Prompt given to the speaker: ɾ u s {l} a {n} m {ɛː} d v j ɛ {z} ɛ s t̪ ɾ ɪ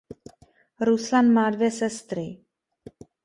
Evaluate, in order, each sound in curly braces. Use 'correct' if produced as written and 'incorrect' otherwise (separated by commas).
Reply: correct, correct, incorrect, incorrect